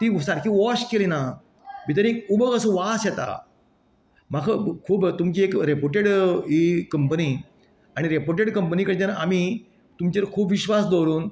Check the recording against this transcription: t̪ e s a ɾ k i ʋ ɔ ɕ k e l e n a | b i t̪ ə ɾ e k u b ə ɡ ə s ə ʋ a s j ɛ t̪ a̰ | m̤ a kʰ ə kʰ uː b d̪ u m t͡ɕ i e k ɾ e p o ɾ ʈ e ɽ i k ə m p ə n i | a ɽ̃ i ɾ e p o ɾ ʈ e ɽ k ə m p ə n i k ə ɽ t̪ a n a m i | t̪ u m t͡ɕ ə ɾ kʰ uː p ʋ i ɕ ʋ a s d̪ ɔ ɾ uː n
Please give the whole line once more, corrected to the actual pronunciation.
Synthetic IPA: t̪ i s a ɾ k i ʋ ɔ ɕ k e l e n a | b i t̪ ə ɾ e k u b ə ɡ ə s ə ʋ a s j ɛ t̪ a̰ | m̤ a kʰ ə kʰ uː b t̪ u m t͡ɕ i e k ɾ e p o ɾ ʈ e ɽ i k ə m p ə n i | a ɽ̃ i ɾ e p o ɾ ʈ e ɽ k ə m p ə n i k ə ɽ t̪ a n a m i | t̪ u m t͡ɕ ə ɾ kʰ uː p ʋ i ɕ ʋ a s d̪ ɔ ɾ uː n